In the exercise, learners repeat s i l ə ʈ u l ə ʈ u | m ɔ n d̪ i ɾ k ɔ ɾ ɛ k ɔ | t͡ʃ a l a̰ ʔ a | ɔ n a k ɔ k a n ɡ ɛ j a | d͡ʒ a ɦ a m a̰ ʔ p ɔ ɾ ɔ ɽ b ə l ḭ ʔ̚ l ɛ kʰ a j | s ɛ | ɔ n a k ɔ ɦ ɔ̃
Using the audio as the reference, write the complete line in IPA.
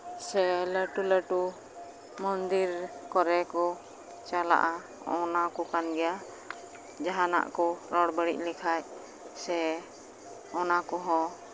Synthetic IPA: s ɛ l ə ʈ u l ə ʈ u | m ɔ n d̪ i ɾ k ɔ ɾ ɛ k ɔ | t͡ʃ a l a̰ ʔ a | ɔ n a k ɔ k a n ɡ ɛ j a | d͡ʒ a ɦ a n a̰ ʔ k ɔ ɾ ɔ ɽ b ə ɽ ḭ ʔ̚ l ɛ kʰ a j | s ɛ | ɔ n a k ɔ ɦ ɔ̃